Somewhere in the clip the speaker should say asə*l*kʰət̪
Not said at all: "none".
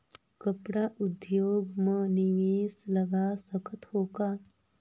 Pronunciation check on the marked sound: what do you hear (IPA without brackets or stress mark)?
none